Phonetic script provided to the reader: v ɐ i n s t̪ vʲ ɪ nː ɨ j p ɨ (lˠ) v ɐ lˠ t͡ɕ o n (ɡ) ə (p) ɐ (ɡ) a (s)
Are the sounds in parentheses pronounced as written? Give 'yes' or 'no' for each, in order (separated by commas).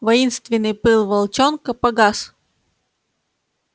yes, no, yes, yes, yes